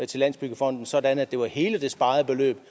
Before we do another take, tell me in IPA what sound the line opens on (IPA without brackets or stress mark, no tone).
t͡sʰ